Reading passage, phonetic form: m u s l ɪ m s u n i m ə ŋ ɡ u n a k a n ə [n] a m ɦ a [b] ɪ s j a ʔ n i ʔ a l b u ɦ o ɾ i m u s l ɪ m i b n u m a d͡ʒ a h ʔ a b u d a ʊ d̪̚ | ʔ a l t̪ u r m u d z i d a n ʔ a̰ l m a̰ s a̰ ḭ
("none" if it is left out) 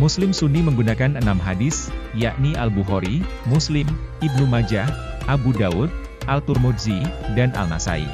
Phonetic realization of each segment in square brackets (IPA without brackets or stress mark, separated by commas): n, d